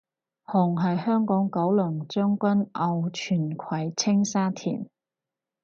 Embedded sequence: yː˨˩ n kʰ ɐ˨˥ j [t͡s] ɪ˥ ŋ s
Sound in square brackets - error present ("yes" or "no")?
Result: yes